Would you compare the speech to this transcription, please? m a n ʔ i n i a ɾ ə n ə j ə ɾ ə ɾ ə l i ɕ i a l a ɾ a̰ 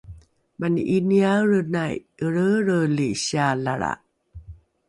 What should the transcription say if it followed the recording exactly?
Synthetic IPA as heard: m a n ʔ i n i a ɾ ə n a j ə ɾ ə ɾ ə l i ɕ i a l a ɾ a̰